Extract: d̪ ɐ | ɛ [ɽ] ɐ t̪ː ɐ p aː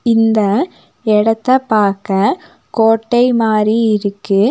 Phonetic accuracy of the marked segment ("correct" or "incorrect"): correct